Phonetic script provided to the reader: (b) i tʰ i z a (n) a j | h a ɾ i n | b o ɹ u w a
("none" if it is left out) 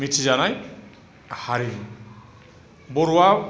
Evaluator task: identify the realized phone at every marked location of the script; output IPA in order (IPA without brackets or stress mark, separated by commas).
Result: m, n